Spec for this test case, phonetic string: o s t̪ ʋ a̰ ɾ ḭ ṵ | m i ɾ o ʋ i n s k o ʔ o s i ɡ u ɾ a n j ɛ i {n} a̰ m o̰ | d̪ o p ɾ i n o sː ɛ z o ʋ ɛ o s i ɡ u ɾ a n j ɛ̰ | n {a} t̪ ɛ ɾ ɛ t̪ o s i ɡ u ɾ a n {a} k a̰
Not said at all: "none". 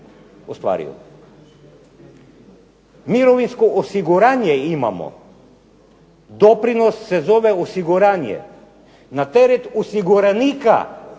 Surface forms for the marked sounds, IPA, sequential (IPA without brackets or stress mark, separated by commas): m, a, i